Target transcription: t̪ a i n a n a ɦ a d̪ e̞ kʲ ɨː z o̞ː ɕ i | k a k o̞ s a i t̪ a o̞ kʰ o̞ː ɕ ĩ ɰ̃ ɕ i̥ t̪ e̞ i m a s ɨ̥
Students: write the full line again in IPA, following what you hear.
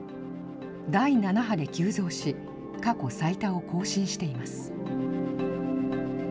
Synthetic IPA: d̪ a i n a n a ɦ a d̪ e̞ kʲ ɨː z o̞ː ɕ i | k a k o̞ s a i t̪ a o̞ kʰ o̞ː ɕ ĩ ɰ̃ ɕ i̥ t̪ e̞ i m a s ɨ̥